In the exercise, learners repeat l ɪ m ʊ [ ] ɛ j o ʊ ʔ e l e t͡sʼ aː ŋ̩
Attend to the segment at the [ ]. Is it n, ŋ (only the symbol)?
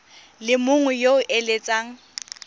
ŋ